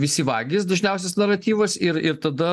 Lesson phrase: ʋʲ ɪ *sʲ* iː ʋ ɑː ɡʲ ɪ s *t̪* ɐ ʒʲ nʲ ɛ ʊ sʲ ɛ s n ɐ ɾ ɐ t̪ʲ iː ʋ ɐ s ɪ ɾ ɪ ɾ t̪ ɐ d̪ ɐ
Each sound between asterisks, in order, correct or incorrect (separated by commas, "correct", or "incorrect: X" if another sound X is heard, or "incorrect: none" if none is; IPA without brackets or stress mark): correct, incorrect: d̪